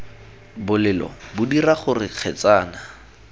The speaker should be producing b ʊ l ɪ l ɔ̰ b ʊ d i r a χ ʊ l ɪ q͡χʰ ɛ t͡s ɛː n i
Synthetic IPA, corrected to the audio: b ʊ l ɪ l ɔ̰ b ʊ d i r a χ ʊ r ɪ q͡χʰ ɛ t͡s aː n a